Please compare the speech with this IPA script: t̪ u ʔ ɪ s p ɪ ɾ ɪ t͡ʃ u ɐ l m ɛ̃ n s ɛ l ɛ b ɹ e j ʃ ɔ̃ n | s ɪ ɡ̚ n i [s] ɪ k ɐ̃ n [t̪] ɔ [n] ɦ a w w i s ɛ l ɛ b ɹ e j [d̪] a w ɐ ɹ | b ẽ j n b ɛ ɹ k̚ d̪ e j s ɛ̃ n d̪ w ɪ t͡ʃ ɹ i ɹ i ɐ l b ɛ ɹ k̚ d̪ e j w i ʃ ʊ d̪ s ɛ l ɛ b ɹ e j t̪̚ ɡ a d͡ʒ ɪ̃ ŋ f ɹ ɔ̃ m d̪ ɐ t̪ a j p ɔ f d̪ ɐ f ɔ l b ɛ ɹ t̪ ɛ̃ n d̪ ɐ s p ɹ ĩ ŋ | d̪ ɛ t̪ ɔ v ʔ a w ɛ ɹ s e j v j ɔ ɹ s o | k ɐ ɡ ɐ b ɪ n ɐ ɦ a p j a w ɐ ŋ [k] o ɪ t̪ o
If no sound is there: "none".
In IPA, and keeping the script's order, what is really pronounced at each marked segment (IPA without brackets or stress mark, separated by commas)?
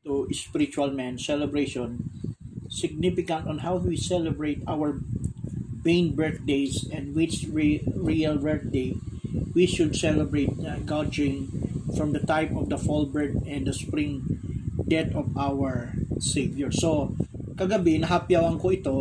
f, t̪, n, t̪, k